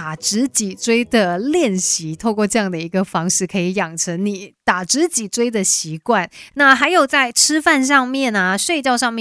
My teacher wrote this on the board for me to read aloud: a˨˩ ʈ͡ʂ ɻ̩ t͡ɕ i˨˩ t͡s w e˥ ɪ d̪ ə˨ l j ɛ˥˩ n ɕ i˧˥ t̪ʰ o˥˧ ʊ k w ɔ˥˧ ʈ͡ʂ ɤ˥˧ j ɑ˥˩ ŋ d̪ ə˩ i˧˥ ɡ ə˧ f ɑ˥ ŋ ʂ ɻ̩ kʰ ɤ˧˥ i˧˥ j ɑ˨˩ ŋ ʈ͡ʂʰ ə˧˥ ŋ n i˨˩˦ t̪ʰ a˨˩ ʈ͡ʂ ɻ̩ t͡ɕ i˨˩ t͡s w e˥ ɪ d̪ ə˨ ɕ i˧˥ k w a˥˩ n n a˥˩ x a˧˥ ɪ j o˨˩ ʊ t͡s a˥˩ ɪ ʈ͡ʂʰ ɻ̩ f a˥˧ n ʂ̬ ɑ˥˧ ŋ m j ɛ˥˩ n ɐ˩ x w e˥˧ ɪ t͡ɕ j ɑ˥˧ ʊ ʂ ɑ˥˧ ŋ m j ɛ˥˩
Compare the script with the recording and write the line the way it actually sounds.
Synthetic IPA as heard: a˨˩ ʈ͡ʂ ɻ̩ t͡ɕ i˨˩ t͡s w e˥ ɪ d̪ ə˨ l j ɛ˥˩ n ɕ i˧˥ t̪ʰ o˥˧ ʊ k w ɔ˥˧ ʈ͡ʂ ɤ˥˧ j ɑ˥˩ ŋ d̪ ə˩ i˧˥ ɡ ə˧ f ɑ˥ ŋ ʂ ɻ̩ kʰ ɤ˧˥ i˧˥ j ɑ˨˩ ŋ ʈ͡ʂʰ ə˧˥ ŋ n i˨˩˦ t̪ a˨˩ ʈ͡ʂ ɻ̩ t͡ɕ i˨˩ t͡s w e˥ ɪ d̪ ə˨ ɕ i˧˥ k w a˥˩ n n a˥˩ x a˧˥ ɪ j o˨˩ ʊ t͡s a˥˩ ɪ ʈ͡ʂʰ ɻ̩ f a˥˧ n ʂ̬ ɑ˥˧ ŋ m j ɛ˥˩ n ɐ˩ ʂ w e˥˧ ɪ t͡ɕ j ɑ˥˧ ʊ ʂ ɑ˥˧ ŋ m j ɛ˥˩